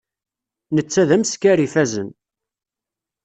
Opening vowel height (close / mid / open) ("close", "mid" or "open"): mid